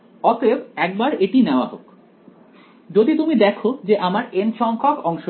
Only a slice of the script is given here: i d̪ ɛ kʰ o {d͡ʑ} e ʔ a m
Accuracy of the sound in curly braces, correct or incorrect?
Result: correct